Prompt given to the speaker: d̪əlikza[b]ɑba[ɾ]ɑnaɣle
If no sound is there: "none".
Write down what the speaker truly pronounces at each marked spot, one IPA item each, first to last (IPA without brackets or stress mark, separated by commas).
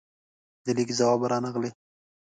w, ɾ